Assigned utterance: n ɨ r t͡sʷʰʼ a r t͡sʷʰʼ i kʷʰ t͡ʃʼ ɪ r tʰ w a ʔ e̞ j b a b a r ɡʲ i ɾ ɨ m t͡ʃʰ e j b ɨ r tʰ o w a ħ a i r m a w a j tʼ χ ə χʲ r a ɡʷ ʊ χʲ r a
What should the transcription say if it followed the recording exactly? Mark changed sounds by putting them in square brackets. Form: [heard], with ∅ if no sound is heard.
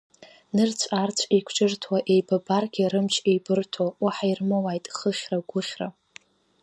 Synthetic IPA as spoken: n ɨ r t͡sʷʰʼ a r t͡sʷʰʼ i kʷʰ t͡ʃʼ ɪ r tʰ w a ʔ e̞ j b a b a r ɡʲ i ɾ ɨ m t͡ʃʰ e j b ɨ r tʰ o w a ħ a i r m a w a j tʼ χ ə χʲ r a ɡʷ ʊ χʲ r a